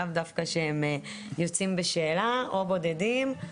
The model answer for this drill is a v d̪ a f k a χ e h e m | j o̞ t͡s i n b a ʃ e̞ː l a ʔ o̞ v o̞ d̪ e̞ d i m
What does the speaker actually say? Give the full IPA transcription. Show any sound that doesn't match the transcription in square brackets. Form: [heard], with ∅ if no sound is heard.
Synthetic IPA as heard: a v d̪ a f k a [ʃ] e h e m | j o̞ t͡s i [m] b [e] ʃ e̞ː l a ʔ o̞ [b] o̞ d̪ e̞ d i m